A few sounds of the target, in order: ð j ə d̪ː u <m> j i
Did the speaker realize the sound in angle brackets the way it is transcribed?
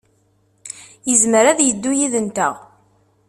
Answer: no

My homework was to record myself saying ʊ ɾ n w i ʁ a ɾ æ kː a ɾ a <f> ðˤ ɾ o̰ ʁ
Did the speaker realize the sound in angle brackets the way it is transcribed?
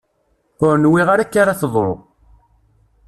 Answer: no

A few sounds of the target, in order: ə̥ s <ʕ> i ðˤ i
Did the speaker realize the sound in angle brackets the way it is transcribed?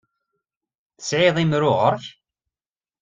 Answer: yes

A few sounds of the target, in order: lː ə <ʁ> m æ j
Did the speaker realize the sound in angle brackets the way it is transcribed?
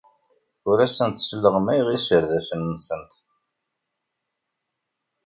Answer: yes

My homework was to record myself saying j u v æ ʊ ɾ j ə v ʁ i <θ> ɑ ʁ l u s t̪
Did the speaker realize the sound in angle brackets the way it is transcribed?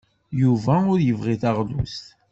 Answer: yes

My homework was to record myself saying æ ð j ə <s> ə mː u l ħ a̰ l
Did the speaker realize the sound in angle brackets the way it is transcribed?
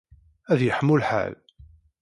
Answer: no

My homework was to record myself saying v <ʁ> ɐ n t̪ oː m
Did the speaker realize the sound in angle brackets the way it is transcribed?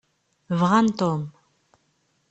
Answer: yes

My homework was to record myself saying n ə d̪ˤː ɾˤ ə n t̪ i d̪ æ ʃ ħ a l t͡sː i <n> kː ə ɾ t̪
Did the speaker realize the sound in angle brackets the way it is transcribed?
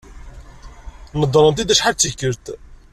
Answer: no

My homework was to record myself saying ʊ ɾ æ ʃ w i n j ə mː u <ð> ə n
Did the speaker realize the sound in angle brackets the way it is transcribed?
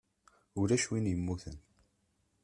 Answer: no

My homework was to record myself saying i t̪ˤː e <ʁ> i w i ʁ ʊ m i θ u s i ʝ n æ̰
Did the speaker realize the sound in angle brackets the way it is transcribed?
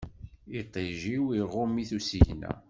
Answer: no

